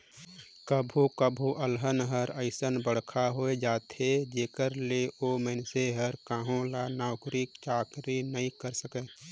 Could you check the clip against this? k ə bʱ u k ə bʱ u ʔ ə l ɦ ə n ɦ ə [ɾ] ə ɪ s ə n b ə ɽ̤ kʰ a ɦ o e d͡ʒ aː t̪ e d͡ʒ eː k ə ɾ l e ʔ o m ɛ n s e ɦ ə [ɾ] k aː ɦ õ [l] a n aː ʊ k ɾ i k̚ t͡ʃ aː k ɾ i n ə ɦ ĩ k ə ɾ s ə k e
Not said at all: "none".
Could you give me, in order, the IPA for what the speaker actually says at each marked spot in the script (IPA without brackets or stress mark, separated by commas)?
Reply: ɾ, ɾ, l